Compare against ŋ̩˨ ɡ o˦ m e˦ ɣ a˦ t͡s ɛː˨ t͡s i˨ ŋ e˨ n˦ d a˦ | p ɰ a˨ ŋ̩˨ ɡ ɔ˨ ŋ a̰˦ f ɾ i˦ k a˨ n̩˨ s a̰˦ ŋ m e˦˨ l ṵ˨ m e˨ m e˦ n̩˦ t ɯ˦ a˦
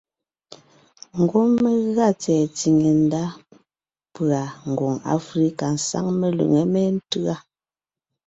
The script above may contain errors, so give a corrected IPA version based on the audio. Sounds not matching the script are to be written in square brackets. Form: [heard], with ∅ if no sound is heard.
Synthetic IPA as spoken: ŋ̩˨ ɡ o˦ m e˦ ɣ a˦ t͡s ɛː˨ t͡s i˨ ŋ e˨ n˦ d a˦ | p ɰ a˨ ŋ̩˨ ɡ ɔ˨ ŋ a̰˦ f ɾ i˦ k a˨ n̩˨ s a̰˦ ŋ m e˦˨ l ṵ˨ [ŋ] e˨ m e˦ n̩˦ t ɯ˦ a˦